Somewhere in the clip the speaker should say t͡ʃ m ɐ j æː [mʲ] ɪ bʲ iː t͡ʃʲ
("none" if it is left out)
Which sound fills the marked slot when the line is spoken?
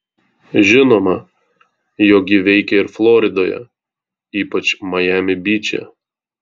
mʲ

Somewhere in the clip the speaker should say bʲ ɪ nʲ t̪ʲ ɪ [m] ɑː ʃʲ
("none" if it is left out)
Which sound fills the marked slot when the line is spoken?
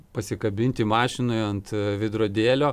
m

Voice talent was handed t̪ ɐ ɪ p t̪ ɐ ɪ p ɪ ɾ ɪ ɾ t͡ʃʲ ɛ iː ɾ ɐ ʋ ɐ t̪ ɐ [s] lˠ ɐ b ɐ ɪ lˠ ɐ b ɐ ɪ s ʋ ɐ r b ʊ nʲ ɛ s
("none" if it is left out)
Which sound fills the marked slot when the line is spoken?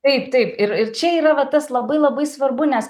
s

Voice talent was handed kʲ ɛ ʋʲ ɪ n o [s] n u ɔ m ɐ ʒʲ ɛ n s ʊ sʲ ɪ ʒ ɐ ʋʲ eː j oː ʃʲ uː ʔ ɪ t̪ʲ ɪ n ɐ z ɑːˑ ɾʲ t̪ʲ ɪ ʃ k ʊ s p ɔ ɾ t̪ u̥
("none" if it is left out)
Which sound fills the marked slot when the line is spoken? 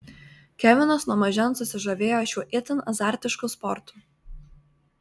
s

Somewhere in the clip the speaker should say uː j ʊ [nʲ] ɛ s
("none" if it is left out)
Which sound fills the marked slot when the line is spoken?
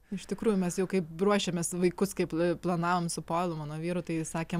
mʲ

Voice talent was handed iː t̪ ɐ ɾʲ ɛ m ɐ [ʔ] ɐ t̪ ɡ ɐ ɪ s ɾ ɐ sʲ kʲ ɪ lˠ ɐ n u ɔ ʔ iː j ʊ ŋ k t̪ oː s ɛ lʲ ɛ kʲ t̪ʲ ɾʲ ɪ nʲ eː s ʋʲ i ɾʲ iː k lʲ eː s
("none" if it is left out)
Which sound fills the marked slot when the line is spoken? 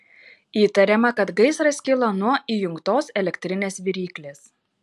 k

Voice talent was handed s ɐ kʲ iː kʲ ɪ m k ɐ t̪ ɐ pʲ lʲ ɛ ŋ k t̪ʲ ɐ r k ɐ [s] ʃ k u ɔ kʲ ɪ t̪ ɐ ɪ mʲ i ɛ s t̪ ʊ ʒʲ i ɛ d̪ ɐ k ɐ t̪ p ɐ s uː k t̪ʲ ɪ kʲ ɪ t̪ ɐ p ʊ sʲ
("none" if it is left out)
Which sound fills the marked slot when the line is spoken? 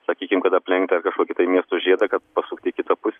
none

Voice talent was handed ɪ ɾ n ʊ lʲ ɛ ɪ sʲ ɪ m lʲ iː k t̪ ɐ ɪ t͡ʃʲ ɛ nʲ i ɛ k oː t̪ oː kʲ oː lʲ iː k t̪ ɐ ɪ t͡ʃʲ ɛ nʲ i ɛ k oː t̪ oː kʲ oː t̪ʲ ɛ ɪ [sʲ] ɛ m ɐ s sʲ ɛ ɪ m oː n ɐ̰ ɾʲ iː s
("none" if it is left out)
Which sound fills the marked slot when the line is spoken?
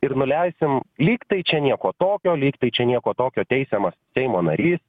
sʲ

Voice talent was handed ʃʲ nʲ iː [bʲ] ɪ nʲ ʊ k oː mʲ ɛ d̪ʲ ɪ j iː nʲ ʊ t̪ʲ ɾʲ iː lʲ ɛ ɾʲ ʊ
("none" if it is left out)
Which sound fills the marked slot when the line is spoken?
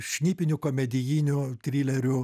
pʲ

